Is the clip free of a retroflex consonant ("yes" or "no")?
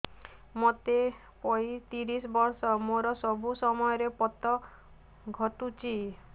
yes